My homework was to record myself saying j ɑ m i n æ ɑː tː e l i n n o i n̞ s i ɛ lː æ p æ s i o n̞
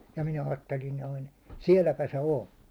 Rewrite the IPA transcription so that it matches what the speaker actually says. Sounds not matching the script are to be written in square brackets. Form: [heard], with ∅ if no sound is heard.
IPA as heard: j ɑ m i n æ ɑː tː e l i n n o i n̞ s i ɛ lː æ p æ s [e] o n̞